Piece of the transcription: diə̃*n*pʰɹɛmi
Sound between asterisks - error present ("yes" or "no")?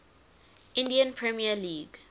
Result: no